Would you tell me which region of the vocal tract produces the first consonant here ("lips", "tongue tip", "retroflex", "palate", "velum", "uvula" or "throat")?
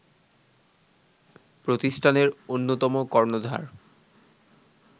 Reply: lips